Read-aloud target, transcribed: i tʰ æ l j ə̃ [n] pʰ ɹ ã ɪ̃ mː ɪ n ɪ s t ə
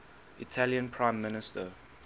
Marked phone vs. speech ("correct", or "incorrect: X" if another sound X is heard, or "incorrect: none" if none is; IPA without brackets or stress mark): correct